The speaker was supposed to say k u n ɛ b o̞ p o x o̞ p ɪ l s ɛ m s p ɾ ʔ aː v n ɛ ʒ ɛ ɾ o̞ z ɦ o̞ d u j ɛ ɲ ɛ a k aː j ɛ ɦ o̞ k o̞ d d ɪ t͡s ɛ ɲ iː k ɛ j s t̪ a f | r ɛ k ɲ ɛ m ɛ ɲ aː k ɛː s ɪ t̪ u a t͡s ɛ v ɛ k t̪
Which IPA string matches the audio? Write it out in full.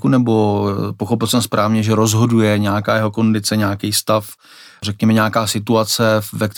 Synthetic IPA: k u n ɛ b o̞ p o x o̞ p ɪ l s ɛ m s p ɾ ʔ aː v ɲ ɛ ʒ ɛ ɾ o̞ z ɦ o̞ d u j ɛ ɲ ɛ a k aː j ɛ ɦ o̞ k o̞ n d ɪ t͡s ɛ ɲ aː k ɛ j s t̪ a f | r ɛ k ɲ ɛ m ɛ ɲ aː k aː s ɪ t̪ u a t͡s ɛ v ɛ k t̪